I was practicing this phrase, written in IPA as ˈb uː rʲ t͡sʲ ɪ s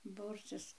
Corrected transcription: ˈb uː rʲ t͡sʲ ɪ s

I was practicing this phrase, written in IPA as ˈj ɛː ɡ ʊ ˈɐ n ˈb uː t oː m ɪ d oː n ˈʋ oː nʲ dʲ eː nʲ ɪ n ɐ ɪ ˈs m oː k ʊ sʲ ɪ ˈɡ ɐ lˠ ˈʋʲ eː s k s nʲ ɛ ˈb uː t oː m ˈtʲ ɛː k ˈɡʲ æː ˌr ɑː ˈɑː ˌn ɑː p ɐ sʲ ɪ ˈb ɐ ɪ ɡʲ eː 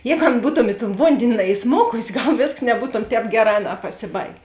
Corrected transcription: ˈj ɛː ɡ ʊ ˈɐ n ˈb uː t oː m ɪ t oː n ˈʋ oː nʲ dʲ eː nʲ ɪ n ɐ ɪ ˈs m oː k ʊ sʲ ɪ ˈɡ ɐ lˠ ˈʋʲ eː s k s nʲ ɛ ˈb uː t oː m ˈtʲ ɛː p ˈɡʲ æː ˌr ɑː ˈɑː ˌn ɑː p ɐ sʲ ɪ ˈb ɐ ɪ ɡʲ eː

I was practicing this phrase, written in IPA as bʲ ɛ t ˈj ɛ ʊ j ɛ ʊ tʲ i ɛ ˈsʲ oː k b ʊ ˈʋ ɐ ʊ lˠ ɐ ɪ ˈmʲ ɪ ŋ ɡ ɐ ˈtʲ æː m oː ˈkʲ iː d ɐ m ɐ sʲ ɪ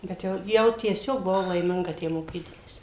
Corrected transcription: bʲ ɛ t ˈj ɛ ʊ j ɛ ʊ tʲ i ɛ ˈsʲ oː k b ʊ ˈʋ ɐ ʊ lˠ ɐ ɪ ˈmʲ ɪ ŋ ɡ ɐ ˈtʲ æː m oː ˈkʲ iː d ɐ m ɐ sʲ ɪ

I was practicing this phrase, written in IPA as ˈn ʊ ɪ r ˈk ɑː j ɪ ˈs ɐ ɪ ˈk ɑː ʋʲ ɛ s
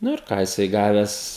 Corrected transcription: ˈn ʊ ɪ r ˈk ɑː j ɪ ˈs ɐ ɪ ˈɡ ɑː ʋʲ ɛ s

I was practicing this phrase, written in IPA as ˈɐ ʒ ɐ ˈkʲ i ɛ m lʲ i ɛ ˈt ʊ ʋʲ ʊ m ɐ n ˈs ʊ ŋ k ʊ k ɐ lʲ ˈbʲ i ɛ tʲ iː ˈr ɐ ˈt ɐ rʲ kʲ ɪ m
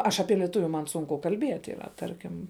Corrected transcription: ˈɐ ʃ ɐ ˈpʲ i ɛ lʲ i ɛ ˈt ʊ ʋʲ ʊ m ɐ n ˈs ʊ ŋ k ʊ k ɐ lʲ ˈbʲ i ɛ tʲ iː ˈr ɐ ˈt ɐ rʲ kʲ ɪ m

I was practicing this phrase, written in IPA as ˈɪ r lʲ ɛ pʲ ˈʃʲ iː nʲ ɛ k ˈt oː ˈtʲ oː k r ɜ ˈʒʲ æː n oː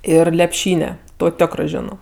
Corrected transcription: ˈɪ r lʲ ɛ pʲ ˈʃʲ iː nʲ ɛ ˈt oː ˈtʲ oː k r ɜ ˈʒʲ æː n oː

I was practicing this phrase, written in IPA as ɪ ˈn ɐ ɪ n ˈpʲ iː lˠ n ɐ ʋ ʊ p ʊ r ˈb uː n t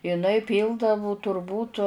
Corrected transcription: ɪ ˈn ɐ ɪ ˈpʲ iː lˠ d ɐ ʋ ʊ t ʊ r ˈb uː t

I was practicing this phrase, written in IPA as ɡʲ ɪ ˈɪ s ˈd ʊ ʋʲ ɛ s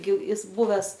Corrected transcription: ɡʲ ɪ ˈɪ s ˈb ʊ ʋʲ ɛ s

